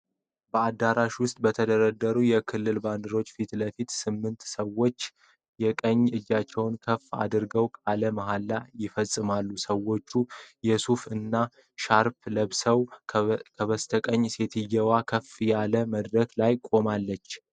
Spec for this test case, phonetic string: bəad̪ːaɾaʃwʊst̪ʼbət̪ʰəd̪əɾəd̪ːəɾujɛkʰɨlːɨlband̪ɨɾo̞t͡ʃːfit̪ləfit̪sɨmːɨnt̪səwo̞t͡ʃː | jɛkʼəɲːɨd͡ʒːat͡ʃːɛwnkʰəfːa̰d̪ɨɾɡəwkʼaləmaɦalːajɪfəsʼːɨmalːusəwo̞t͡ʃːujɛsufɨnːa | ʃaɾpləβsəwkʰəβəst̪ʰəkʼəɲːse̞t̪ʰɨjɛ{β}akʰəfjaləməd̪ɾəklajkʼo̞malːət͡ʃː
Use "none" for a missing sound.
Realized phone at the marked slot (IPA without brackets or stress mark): w